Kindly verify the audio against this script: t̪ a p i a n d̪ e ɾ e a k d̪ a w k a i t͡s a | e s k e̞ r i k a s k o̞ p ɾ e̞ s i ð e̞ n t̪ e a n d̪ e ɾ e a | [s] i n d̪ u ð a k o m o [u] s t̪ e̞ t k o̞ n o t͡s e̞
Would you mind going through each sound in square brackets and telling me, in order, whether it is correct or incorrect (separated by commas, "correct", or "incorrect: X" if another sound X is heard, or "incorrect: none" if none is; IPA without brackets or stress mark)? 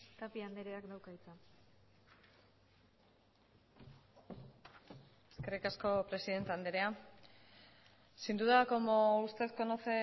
correct, correct